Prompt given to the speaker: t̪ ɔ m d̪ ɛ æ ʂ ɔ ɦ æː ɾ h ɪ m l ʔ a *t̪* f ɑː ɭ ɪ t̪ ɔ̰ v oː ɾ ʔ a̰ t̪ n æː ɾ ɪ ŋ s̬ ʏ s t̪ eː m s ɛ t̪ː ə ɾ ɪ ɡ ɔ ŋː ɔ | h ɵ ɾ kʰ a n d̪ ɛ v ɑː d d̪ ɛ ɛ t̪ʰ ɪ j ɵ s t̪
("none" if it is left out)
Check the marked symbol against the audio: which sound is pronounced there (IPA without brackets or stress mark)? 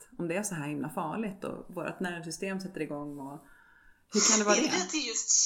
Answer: none